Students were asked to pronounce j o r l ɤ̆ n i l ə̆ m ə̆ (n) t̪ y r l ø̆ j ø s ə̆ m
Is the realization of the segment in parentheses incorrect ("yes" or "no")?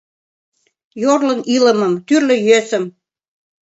yes